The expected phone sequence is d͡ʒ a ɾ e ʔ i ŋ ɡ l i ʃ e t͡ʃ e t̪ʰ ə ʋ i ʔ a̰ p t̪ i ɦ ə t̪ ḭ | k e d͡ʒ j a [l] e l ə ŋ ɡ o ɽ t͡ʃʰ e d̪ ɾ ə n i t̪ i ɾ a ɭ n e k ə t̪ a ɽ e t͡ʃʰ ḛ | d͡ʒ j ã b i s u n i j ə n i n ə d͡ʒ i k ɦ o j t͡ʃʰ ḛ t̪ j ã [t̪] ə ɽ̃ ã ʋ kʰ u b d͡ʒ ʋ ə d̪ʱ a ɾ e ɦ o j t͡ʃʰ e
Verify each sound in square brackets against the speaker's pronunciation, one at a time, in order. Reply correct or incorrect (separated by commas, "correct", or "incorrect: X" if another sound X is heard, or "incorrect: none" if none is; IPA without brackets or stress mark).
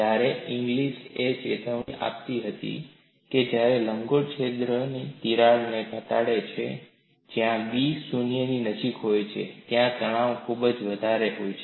incorrect: ɾ, correct